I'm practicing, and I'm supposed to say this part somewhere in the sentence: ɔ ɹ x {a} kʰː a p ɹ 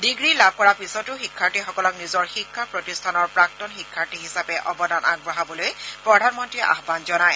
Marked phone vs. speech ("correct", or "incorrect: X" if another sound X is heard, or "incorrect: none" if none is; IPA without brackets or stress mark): incorrect: i